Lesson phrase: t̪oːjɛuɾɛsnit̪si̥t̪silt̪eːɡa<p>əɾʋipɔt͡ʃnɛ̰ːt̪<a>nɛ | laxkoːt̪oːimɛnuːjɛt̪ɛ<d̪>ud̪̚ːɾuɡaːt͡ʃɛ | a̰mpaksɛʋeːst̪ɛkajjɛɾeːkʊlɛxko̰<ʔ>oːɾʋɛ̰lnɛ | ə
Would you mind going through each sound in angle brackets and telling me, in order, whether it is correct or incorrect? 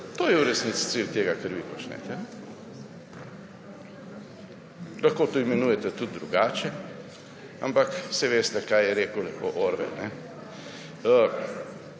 incorrect: k, incorrect: ɛ, incorrect: t̪, correct

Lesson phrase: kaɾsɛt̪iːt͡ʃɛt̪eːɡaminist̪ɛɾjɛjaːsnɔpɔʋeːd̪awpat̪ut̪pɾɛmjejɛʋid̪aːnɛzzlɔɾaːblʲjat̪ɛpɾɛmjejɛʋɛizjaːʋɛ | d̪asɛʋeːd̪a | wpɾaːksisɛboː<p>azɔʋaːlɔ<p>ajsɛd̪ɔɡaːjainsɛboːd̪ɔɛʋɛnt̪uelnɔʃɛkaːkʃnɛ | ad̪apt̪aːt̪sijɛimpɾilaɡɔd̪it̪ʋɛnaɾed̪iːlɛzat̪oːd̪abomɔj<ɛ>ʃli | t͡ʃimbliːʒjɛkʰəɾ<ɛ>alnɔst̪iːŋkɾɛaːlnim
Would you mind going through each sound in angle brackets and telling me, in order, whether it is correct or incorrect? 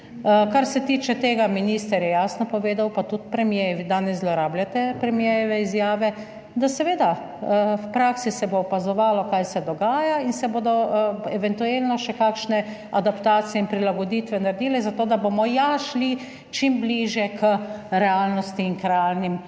correct, incorrect: k, incorrect: a, correct

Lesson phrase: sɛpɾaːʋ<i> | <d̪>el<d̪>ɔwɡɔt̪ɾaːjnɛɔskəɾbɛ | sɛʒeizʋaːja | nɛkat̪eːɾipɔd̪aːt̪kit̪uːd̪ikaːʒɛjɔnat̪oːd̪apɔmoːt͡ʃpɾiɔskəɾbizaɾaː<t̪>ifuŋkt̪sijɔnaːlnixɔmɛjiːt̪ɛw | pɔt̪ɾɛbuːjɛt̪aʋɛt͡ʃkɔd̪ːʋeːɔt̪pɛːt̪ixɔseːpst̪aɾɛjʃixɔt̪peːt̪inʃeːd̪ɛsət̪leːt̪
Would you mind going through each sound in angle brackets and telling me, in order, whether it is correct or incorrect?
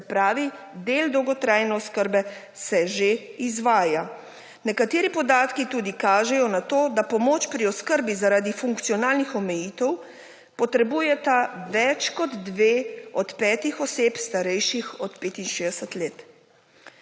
correct, correct, correct, incorrect: d̪

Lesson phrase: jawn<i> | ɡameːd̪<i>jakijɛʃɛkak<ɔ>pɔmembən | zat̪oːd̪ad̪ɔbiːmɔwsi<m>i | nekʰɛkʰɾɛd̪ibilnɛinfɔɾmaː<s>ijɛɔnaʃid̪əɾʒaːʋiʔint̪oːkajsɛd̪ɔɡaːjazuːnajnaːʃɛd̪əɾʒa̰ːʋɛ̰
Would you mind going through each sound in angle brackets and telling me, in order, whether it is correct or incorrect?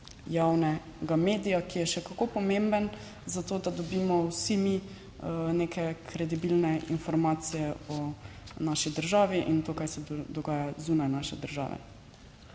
incorrect: ɛ, correct, incorrect: o, correct, correct

